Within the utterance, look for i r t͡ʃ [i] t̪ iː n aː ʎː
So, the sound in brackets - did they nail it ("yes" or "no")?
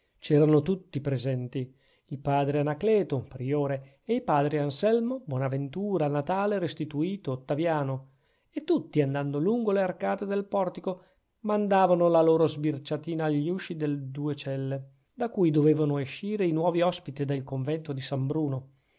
no